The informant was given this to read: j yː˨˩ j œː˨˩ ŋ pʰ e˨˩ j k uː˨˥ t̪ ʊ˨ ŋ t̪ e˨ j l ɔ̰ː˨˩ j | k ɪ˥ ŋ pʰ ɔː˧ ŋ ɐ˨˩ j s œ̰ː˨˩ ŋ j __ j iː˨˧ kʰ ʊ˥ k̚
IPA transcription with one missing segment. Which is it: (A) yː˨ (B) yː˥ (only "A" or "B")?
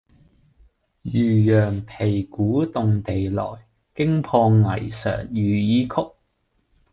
A